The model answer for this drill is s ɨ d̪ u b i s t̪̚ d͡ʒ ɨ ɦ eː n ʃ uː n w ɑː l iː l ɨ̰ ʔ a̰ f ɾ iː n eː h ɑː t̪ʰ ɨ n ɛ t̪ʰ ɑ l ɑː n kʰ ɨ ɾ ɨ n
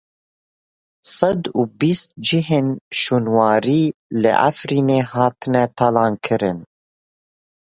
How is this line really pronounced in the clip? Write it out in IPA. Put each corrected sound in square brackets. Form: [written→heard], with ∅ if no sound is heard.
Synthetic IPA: s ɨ d̪ u b i s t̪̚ d͡ʒ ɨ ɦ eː n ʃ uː n w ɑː [l→ɾ] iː l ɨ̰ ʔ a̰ f ɾ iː n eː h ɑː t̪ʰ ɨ n ɛ t̪ʰ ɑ l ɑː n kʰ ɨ ɾ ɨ n